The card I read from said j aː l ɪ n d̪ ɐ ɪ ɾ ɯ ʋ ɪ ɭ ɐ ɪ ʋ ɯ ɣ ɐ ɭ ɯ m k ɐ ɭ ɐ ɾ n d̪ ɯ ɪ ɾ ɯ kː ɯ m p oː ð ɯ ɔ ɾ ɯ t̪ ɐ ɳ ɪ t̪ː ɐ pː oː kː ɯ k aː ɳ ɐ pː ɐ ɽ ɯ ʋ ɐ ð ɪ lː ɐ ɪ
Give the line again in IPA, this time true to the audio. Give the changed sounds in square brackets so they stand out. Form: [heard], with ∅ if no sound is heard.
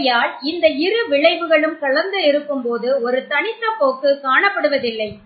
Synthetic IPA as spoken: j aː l ɪ n d̪ ɐ ɪ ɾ ɯ ʋ ɪ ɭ ɐ ɪ ʋ ɯ ɣ ɐ ɭ ɯ m k ɐ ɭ ɐ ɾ n d̪ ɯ ɪ ɾ ɯ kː ɯ m p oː ð ɯ ɔ ɾ ɯ t̪ ɐ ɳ ɪ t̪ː ɐ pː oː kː ɯ k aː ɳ ɐ pː ɐ ɽ ɯ ʋ ɐ ð ɪ lː ɐ ɪ